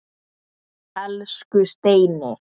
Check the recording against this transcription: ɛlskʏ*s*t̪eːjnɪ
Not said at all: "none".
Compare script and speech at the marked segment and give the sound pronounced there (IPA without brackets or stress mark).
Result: s